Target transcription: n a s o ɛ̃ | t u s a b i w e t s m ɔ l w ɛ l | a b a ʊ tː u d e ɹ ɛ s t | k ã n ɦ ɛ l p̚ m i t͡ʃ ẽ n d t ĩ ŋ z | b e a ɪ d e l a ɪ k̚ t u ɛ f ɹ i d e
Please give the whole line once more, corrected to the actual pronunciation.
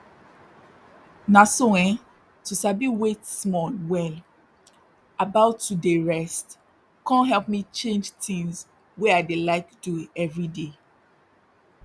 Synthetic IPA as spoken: n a s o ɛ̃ | t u s a b i w e t s m ɔ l w ɛ l | a b a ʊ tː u d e ɹ ɛ s t | k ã n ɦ ɛ l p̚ m i t͡ʃ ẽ n d͡ʒ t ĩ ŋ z | w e a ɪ d e l a ɪ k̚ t u ɛ v ɹ i d e